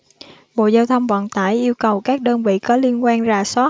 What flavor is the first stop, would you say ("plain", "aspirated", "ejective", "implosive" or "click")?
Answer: implosive